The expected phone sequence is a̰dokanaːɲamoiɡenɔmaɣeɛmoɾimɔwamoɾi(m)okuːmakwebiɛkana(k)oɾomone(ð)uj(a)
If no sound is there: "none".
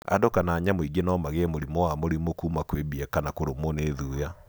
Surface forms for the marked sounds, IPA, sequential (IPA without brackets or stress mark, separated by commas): m, k, ð, a